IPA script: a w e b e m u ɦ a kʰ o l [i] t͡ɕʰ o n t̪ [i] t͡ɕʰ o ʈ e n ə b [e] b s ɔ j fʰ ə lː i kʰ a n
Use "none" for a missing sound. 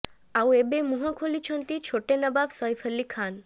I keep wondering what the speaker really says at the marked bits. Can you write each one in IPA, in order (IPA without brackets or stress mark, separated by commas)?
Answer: i, i, a